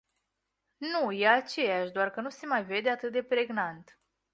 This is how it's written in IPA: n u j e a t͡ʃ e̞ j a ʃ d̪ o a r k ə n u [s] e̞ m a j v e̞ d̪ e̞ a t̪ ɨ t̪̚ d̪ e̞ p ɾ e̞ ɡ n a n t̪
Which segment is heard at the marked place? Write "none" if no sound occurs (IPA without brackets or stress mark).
s